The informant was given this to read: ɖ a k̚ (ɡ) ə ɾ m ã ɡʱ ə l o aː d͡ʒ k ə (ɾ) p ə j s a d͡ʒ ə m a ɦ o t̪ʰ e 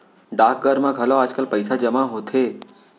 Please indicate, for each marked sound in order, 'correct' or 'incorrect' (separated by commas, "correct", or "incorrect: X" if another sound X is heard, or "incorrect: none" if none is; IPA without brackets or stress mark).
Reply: correct, incorrect: l